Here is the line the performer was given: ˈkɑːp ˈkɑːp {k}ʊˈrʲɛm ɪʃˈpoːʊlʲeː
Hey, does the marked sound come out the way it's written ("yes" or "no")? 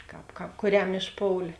yes